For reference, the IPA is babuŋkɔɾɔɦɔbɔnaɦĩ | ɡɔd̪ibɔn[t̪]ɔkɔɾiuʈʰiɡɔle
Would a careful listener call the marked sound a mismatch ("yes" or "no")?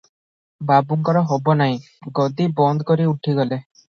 yes